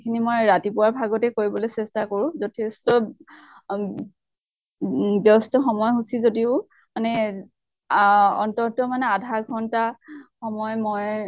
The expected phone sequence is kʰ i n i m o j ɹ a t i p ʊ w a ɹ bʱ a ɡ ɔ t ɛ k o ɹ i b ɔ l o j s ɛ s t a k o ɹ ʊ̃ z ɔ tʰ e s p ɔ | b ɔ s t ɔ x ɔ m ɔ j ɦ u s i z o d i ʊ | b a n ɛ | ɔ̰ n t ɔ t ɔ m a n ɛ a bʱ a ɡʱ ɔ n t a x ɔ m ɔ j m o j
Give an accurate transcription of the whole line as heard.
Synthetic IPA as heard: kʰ i n i m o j ɹ a t i p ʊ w a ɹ bʱ a ɡ ɔ t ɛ k o ɹ i b ɔ l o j s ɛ s t a k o ɹ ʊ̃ z ɔ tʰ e s t ɔ | b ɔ s t ɔ x ɔ m ɔ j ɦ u s i z o d i ʊ | m a n ɛ | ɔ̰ n t ɔ t ɔ m a n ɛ a dʱ a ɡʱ ɔ n t a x ɔ m ɔ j m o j